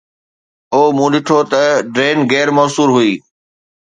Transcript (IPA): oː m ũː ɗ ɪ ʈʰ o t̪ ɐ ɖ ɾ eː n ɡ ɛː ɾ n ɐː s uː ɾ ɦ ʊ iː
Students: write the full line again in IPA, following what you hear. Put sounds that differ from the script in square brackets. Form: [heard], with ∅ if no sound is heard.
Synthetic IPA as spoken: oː m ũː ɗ ɪ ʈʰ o t̪ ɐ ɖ ɾ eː n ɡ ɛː ɾ [m] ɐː s uː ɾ ɦ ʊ iː